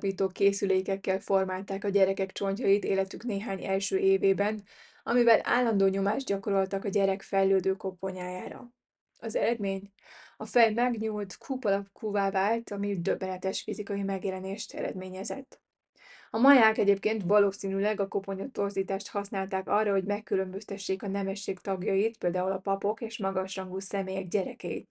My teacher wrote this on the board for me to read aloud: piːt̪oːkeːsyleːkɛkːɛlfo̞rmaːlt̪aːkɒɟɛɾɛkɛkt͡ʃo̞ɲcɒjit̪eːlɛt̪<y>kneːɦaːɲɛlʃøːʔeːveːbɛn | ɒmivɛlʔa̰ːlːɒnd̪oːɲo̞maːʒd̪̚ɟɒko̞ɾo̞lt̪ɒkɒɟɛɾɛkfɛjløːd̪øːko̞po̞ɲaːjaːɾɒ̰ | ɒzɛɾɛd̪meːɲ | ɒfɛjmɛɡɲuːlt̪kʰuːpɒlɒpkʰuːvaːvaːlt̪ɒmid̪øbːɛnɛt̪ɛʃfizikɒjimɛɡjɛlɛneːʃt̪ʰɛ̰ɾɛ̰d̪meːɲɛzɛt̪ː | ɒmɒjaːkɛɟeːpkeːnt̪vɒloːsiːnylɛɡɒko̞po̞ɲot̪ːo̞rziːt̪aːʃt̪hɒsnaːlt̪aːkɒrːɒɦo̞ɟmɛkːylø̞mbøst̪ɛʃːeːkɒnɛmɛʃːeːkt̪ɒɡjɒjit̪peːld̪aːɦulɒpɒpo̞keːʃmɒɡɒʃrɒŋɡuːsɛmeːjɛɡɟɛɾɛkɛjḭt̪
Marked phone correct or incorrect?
correct